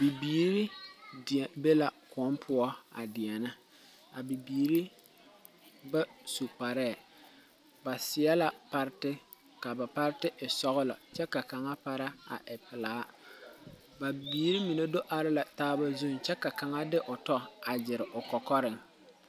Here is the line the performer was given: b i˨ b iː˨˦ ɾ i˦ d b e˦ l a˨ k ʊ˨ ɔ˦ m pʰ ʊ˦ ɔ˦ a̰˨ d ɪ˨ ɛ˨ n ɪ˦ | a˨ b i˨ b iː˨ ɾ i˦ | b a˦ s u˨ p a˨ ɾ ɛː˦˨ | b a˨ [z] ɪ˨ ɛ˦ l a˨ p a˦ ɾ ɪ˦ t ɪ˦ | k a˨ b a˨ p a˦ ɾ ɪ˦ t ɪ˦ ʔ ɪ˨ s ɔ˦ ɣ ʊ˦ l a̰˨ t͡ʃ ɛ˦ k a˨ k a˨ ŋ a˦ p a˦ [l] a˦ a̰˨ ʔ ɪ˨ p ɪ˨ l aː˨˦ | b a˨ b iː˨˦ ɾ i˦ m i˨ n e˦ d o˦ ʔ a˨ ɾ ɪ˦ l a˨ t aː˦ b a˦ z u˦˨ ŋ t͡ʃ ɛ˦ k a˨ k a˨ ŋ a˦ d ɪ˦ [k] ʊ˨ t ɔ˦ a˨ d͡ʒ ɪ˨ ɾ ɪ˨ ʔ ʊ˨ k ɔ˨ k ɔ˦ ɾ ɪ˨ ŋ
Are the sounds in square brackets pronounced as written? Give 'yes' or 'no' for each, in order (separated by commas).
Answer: no, no, no